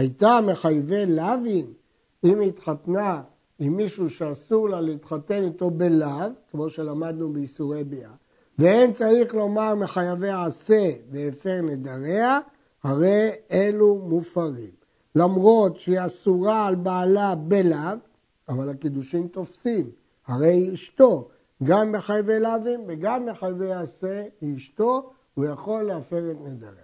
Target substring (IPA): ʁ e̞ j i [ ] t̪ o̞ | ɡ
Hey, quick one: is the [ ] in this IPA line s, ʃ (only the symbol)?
ʃ